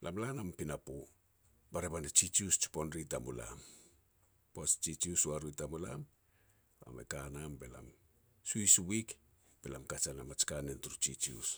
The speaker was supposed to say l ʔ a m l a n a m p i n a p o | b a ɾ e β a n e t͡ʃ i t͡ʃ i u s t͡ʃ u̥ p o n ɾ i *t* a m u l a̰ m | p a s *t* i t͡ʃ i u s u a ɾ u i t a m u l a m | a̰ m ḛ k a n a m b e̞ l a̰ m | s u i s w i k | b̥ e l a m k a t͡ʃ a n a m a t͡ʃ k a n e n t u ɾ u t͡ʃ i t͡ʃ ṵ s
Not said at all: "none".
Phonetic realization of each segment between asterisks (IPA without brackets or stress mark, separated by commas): t, t͡ʃ